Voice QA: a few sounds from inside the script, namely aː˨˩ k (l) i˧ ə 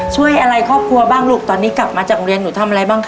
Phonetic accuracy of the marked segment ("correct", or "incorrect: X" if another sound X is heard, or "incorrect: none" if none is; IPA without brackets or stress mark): incorrect: ɾ